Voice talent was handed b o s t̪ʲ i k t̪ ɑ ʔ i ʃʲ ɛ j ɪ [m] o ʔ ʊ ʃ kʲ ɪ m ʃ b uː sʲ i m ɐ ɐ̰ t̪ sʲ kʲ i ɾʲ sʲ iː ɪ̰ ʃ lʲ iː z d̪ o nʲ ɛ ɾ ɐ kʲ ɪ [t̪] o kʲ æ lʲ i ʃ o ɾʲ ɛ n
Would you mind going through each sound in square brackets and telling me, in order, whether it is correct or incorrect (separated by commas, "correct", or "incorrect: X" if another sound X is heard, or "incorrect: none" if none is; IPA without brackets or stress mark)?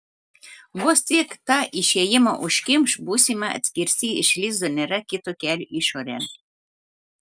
correct, correct